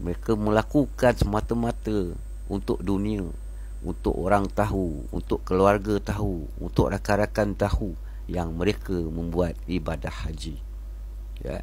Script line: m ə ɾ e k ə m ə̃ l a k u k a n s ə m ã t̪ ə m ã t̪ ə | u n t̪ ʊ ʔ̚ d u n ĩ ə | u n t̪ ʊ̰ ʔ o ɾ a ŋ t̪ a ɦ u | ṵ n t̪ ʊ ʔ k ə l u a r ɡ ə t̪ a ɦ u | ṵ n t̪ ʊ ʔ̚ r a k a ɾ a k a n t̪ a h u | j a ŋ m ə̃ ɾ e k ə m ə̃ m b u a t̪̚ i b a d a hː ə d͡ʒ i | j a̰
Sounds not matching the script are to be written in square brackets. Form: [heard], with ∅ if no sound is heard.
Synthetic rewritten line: m ə ɾ e k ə m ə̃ l a k u k a n s ə m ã t̪ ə m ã t̪ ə | u n t̪ ʊ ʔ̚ d u n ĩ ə | u n t̪ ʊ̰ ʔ o ɾ a ŋ t̪ a ɦ u | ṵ n t̪ ʊ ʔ k ə l u a r ɡ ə t̪ a ɦ u | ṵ n t̪ ʊ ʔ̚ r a k a ɾ a k a n t̪ a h u | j a ŋ m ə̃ ɾ e k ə m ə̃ m b u a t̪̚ i b a d a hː [a] d͡ʒ i | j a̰